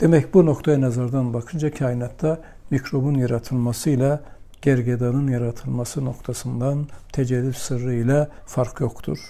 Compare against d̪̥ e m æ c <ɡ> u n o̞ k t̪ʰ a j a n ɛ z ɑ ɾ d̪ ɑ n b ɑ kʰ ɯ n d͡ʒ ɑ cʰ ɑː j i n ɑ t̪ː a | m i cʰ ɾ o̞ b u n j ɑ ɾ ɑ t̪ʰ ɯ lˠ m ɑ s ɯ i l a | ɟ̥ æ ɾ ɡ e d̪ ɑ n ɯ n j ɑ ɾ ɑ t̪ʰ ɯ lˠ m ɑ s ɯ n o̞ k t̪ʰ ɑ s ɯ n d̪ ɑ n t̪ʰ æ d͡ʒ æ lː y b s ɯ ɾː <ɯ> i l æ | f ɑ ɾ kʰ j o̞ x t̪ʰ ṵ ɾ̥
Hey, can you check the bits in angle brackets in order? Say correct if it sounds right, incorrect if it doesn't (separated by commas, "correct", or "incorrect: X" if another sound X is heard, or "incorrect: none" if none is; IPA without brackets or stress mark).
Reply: incorrect: b, correct